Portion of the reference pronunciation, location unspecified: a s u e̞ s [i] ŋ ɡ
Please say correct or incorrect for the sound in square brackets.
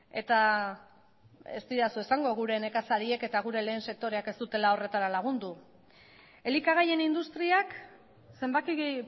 incorrect: a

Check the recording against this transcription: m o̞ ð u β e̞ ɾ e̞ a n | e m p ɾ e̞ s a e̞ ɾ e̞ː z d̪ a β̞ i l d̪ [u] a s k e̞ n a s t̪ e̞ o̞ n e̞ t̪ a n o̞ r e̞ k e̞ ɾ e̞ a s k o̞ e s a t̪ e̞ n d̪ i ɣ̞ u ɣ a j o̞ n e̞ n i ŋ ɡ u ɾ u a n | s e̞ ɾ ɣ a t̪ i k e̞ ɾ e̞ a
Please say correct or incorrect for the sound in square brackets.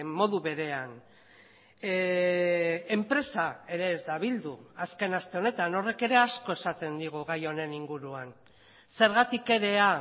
correct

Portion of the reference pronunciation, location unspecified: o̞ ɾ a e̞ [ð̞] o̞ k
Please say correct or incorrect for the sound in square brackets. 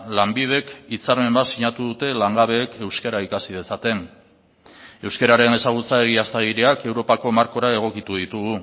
incorrect: ɣ̞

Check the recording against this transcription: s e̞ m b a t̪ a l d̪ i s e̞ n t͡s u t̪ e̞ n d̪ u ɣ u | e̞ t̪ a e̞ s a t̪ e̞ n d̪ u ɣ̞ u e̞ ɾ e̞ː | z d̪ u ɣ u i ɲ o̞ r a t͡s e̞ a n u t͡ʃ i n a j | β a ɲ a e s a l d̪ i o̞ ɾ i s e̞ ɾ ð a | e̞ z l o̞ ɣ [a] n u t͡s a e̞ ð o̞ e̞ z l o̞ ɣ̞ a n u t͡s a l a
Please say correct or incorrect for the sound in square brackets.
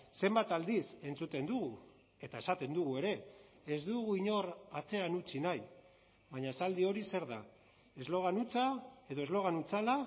correct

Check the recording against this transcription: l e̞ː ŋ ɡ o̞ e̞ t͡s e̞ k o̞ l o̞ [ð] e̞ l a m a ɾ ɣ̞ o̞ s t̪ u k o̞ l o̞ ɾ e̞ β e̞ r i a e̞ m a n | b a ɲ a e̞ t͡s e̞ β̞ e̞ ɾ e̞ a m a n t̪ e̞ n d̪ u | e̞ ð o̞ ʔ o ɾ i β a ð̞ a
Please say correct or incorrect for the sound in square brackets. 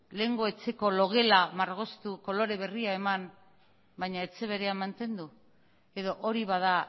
incorrect: ɣ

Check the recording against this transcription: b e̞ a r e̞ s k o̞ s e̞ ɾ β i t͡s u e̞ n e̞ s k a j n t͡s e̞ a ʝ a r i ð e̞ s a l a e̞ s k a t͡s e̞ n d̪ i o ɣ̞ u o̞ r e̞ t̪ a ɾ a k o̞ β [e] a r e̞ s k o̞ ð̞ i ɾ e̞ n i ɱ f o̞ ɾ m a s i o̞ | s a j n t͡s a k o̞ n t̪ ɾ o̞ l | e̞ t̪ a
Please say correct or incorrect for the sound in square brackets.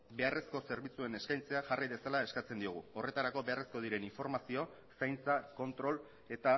correct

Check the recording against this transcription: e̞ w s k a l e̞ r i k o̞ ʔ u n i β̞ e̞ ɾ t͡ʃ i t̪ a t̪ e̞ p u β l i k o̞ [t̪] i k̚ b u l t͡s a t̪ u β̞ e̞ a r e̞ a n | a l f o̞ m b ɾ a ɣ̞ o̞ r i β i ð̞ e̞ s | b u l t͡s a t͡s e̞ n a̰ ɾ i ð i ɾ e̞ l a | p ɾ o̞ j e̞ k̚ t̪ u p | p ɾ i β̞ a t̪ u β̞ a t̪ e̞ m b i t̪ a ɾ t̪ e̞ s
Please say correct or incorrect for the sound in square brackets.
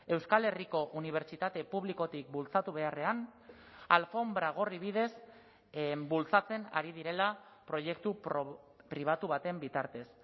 correct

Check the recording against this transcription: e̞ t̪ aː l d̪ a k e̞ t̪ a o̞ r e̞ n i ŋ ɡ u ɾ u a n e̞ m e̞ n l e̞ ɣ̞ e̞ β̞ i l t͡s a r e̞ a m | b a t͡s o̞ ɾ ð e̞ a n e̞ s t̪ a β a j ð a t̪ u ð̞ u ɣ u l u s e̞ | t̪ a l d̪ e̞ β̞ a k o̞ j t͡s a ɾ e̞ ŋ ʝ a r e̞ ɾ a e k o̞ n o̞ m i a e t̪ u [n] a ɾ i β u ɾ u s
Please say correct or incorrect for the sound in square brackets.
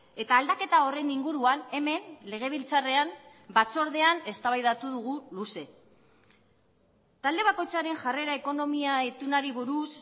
correct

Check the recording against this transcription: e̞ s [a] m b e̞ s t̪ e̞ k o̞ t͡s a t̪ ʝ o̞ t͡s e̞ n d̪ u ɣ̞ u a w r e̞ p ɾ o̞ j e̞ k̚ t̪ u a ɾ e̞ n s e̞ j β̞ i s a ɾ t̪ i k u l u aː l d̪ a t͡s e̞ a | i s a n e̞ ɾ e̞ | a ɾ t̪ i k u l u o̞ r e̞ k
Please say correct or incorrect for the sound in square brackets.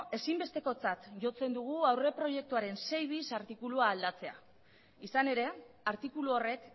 incorrect: i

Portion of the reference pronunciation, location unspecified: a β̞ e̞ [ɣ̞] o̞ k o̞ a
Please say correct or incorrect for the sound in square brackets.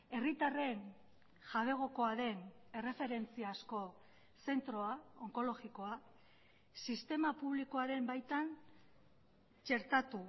correct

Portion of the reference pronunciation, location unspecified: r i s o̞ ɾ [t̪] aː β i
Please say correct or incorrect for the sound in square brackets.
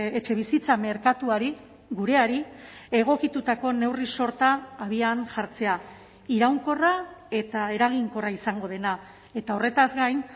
correct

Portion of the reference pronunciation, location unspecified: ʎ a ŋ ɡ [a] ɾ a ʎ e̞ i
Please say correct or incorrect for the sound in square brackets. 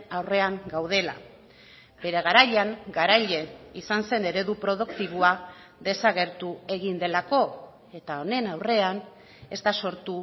correct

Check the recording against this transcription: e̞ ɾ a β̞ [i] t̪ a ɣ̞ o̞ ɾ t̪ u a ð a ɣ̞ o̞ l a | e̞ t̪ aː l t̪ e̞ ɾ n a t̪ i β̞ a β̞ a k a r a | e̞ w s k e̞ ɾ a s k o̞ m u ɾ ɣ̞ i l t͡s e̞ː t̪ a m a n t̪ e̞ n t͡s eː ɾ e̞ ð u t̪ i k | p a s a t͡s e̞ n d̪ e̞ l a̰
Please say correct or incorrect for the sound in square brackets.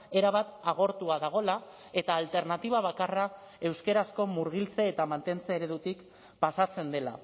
incorrect: a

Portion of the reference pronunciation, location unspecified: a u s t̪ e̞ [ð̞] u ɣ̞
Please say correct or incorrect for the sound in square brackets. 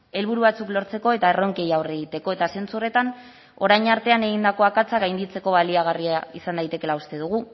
correct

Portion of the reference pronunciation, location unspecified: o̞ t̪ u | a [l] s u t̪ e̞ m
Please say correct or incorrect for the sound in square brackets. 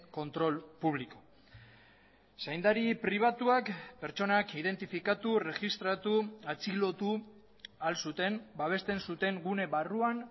correct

